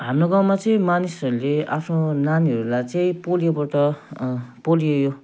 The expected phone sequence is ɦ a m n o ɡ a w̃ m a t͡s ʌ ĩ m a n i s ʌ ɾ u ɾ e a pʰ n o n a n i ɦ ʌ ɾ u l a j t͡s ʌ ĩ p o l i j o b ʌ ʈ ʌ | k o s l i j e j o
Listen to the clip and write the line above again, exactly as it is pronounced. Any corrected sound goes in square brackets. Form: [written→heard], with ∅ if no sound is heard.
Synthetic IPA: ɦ a m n o ɡ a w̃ m a t͡s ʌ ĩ m a n i s ʌ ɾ u [ɾ→l] e a pʰ n o n a n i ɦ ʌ ɾ u l a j t͡s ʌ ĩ p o l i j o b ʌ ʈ ʌ | [k→p] o [s→∅] l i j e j o